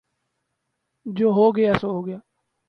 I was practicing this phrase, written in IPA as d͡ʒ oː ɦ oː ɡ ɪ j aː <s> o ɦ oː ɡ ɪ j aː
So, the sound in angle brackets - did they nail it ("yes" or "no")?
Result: yes